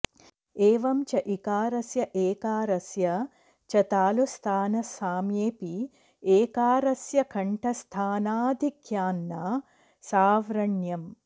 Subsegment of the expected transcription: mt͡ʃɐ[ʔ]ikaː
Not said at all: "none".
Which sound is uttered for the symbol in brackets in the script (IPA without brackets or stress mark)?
ʔ